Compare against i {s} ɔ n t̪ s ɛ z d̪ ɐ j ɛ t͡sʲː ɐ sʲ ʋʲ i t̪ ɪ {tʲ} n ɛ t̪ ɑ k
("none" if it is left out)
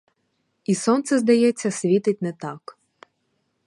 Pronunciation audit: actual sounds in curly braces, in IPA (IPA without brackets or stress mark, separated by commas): s, tʲ